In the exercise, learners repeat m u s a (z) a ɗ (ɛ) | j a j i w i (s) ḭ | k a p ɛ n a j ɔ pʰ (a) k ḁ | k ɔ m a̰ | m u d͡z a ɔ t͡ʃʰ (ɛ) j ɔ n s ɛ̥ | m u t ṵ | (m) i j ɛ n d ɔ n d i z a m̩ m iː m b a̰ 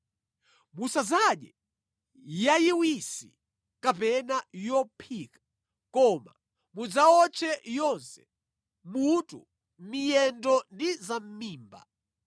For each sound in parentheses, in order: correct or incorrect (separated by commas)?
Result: correct, correct, correct, incorrect, correct, correct